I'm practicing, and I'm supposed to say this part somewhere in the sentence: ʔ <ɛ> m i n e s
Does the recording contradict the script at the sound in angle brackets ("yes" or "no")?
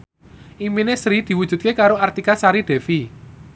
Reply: yes